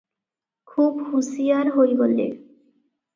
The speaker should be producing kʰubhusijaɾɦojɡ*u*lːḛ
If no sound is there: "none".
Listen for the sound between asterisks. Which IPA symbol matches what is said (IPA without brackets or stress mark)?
o